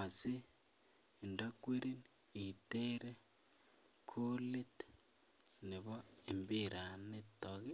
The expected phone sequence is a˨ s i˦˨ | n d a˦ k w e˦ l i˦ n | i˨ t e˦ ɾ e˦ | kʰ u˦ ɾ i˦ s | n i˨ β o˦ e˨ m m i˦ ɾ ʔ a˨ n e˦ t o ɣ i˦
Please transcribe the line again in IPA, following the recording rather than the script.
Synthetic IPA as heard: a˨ s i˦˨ | n d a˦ k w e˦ ɾ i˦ n | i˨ t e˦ ɾ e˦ | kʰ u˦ l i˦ t | n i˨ β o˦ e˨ m b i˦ ɾ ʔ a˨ n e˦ t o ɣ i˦